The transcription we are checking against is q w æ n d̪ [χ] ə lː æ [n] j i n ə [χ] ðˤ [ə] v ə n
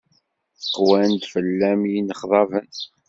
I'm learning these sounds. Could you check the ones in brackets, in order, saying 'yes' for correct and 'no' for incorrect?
no, no, yes, no

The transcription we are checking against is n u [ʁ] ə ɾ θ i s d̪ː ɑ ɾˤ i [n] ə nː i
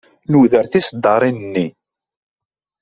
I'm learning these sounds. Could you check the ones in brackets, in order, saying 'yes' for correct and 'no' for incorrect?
no, yes

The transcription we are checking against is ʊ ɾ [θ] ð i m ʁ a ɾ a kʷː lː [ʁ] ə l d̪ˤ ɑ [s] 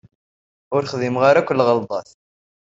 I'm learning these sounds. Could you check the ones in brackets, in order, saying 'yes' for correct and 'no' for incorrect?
no, yes, no

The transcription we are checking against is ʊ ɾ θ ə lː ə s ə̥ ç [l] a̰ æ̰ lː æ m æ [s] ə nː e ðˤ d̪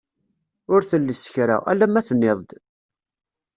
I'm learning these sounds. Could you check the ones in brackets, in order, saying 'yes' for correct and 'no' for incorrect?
no, no

